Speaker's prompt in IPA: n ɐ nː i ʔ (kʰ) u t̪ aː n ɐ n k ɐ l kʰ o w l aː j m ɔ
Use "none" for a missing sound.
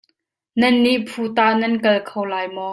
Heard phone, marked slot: pʰ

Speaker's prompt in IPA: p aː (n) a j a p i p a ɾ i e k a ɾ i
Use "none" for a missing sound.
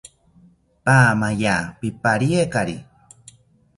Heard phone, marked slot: m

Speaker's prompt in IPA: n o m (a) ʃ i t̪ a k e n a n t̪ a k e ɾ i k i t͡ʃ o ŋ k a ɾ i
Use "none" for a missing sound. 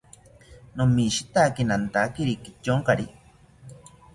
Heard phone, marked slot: i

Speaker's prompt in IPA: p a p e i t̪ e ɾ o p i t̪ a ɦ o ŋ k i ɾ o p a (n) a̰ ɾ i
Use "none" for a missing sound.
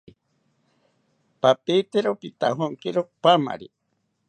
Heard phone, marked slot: m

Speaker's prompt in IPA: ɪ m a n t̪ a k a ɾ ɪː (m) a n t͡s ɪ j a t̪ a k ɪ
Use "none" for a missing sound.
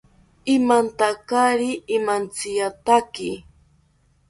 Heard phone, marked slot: m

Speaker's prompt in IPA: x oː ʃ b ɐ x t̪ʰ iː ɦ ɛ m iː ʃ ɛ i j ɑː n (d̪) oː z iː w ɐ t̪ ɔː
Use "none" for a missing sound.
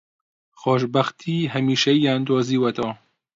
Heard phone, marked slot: d̪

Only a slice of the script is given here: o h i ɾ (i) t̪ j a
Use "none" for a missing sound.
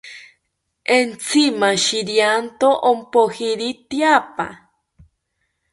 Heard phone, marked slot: i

